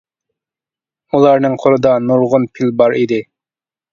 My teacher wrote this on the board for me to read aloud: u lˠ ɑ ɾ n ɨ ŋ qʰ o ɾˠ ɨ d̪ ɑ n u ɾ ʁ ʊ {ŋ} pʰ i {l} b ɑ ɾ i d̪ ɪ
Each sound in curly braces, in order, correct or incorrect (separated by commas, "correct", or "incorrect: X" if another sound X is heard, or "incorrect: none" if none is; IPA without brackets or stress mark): incorrect: n, correct